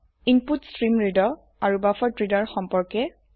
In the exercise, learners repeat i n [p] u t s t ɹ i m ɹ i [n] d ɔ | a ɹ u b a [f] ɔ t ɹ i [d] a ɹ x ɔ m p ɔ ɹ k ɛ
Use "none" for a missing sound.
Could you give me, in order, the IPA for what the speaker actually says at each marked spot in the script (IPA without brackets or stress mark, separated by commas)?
p, none, f, d